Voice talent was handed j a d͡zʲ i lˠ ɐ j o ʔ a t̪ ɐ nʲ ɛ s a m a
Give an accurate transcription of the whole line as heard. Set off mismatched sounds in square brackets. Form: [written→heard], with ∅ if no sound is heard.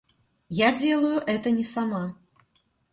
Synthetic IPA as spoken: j a d͡zʲ [i→ɛ] lˠ ɐ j [o→u] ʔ [a→ɛ] t̪ ɐ nʲ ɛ s a m a